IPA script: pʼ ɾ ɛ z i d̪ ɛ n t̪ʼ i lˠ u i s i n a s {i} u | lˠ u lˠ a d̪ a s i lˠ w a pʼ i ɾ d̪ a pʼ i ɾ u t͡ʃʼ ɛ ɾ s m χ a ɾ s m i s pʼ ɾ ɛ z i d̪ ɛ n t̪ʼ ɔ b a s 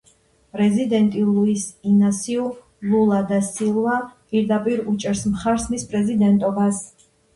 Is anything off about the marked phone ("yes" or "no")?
no